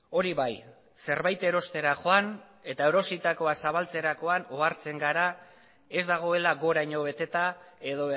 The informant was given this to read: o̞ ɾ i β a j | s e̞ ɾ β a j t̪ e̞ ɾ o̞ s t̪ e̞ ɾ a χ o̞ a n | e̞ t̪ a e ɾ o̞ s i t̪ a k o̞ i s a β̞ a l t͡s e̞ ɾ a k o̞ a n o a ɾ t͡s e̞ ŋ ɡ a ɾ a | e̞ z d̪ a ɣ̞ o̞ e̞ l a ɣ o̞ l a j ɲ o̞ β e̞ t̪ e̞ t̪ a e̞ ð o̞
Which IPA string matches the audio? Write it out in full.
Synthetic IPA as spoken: o̞ ɾ i β a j | s e̞ ɾ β a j t̪ e̞ ɾ o̞ s t̪ e̞ ɾ a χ o̞ a n | e̞ t̪ a e ɾ o̞ s i t̪ a k o̞ a s a β̞ a l t͡s e̞ ɾ a k o̞ a n o a ɾ t͡s e̞ ŋ ɡ a ɾ a | e̞ z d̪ a ɣ̞ o̞ e̞ l a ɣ o̞ ɾ a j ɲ o̞ β e̞ t̪ e̞ t̪ a e̞ ð o̞